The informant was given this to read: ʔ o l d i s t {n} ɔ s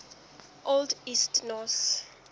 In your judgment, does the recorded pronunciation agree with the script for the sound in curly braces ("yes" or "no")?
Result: yes